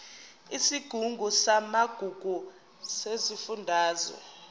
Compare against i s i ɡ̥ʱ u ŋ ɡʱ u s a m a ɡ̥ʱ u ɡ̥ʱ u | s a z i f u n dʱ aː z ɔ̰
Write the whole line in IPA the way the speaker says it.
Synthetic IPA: i s i ɡ̥ʱ u ŋ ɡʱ u s a m a ɡ̥ʱ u ɡ̥ʱ u | s e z i f u n dʱ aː z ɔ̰